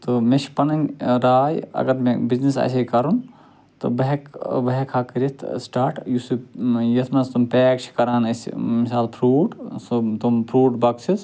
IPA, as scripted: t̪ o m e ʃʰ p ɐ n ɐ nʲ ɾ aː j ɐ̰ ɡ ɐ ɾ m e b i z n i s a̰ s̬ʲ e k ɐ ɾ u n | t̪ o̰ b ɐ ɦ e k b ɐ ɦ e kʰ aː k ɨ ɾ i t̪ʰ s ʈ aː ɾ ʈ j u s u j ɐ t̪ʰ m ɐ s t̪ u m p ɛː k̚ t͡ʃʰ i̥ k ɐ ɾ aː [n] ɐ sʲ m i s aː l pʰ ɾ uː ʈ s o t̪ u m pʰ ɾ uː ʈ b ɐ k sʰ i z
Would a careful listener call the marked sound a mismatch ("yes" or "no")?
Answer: no